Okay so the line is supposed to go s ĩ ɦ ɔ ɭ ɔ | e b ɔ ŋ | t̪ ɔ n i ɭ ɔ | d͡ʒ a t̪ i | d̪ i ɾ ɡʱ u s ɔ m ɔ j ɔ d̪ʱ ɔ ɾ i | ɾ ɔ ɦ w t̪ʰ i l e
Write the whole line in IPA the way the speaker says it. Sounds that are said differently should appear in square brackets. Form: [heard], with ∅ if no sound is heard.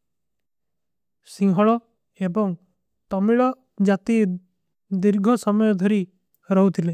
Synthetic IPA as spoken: s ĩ ɦ ɔ ɭ ɔ | e b ɔ ŋ | t̪ ɔ [m] i ɭ ɔ | d͡ʒ a t̪ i | d̪ i ɾ ɡʱ [ɔ] s ɔ m ɔ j ɔ d̪ʱ ɔ ɾ i | ɾ ɔ ɦ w t̪ʰ i l e